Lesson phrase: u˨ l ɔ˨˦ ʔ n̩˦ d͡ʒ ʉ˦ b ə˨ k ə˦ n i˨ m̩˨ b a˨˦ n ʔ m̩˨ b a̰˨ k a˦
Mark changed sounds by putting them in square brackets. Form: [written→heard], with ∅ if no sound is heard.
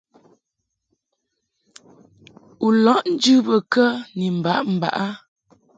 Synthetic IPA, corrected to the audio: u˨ l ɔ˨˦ ʔ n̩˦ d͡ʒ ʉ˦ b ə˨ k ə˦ n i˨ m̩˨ b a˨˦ [n→∅] ʔ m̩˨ b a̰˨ [k→ʔ] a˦